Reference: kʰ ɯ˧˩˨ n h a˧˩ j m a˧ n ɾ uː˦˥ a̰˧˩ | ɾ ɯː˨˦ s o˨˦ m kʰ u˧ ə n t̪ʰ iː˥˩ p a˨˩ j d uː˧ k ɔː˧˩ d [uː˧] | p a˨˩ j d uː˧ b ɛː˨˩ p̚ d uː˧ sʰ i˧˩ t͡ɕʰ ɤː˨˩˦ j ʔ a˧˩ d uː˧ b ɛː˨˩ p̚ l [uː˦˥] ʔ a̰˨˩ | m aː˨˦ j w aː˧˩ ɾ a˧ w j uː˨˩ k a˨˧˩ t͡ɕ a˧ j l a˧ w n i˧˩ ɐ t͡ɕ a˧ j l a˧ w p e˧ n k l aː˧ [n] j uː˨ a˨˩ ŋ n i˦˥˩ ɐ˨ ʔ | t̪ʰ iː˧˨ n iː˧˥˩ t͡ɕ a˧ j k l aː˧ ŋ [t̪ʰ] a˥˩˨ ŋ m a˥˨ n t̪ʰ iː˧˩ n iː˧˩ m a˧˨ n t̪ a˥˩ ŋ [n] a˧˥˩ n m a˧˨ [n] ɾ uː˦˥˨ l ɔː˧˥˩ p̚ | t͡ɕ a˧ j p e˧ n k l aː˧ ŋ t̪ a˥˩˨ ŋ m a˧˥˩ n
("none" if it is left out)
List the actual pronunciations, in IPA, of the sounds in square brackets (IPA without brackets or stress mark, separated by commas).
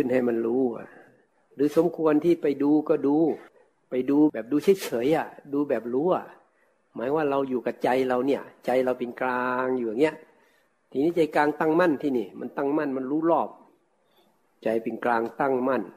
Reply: uː˧, uː˦˥, ŋ, t̪, m, n